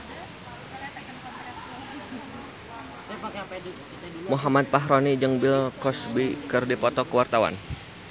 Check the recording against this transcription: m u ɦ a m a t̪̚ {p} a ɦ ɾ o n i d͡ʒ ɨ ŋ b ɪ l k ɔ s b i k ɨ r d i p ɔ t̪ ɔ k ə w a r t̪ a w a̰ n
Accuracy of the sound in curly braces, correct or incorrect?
correct